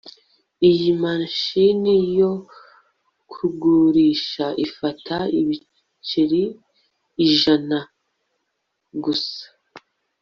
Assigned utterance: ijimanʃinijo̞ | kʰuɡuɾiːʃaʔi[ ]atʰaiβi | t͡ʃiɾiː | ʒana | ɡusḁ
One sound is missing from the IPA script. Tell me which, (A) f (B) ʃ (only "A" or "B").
A